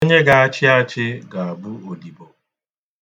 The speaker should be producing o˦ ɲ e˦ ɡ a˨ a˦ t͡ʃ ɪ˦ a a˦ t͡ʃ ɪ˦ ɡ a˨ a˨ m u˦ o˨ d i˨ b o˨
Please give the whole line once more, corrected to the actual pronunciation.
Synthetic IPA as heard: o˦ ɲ e˦ ɡ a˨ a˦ t͡ʃ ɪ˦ a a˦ t͡ʃ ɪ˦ ɡ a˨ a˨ b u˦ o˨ d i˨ b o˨